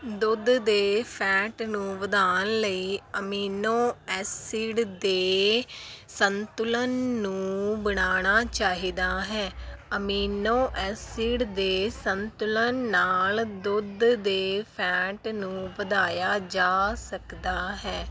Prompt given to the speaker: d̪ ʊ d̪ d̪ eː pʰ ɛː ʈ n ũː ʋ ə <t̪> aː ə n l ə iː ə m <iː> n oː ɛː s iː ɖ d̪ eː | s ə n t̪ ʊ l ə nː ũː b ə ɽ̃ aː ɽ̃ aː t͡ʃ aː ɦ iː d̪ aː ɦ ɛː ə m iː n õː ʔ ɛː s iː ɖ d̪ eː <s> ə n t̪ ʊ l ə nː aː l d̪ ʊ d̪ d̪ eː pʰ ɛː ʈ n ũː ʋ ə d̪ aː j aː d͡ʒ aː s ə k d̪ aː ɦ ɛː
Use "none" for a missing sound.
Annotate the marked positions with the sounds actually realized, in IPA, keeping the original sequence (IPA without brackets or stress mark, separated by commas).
d̪, iː, s